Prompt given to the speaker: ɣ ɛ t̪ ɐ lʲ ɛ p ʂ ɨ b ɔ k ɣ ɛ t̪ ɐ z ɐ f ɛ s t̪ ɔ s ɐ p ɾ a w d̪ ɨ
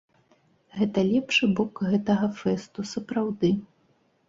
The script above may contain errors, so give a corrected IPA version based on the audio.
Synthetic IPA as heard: ɣ ɛ t̪ ɐ lʲ ɛ p ʂ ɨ b ɔ k ɣ ɛ t̪ ɐ ɣ ɐ f ɛ s t̪ u s ɐ p ɾ a w d̪ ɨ